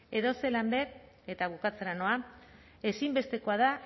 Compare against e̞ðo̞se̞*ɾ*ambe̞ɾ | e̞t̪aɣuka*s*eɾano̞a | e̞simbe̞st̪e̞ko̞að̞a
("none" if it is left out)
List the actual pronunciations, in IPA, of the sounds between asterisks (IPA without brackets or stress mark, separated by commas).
l, t͡s